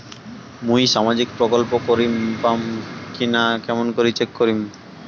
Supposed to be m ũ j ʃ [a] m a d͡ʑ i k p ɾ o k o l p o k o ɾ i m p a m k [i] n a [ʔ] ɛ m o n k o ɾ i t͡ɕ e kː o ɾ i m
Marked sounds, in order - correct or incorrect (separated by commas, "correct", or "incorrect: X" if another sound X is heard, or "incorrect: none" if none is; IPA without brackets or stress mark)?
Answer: correct, correct, incorrect: k